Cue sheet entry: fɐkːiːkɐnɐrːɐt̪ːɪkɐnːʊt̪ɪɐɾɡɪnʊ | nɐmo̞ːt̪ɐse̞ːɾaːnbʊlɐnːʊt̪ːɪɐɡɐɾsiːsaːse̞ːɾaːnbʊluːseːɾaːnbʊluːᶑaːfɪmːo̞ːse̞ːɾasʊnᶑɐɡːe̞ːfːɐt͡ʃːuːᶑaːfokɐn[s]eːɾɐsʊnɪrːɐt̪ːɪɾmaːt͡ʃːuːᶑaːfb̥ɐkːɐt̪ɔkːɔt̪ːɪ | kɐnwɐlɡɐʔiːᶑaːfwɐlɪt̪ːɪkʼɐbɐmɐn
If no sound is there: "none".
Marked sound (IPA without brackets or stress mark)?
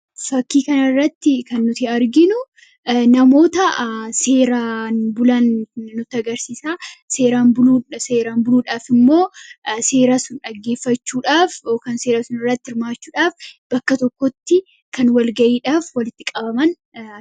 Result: s